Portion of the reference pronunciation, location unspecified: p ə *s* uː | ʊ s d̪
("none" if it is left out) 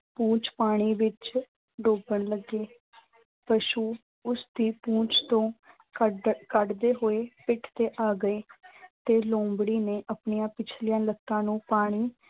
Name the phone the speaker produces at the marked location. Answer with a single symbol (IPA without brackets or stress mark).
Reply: ʃ